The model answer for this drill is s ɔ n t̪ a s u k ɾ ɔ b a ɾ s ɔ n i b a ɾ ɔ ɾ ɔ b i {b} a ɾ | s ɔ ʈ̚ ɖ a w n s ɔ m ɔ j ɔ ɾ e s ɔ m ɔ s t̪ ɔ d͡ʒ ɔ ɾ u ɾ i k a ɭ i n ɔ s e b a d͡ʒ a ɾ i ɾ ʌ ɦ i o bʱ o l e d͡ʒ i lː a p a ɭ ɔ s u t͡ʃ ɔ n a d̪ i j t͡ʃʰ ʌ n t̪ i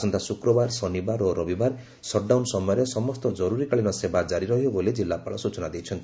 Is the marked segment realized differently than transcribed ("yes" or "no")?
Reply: no